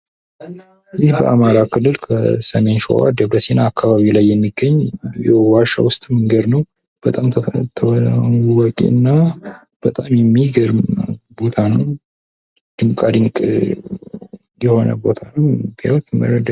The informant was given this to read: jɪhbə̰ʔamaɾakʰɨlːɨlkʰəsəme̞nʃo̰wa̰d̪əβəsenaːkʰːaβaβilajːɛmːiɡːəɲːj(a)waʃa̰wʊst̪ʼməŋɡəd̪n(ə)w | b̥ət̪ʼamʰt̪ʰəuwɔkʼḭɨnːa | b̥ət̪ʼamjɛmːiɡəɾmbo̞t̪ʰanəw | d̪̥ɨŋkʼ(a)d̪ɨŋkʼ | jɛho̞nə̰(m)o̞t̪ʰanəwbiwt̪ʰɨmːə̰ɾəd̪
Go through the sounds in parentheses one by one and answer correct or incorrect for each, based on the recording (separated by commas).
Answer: incorrect, correct, correct, incorrect